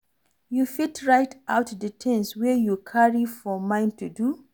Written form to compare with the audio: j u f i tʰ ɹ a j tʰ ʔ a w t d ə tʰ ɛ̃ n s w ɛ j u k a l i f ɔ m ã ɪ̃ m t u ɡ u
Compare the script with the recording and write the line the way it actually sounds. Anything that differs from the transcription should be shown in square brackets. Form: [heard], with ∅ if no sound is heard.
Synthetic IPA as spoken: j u f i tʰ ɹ a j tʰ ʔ a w t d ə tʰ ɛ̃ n s w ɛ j u [kʰ] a [ɹ] i f ɔ m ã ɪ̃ [n] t u [d] u